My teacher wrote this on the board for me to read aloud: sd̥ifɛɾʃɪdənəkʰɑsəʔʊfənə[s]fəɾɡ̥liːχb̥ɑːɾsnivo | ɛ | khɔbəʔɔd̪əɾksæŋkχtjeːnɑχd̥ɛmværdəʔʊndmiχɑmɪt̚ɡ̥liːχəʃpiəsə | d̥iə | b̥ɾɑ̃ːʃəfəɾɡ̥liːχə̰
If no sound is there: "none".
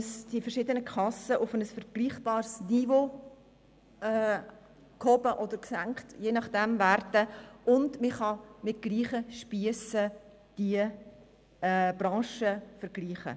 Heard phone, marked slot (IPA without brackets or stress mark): s